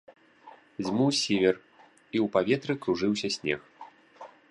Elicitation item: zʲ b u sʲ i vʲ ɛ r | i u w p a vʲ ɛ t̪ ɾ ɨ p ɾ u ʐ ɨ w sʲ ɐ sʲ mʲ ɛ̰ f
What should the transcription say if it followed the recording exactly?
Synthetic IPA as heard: zʲ m u sʲ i vʲ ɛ r | i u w p a vʲ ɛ t̪ ɾ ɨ k ɾ u ʐ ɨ w sʲ ɐ sʲ nʲ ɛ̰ x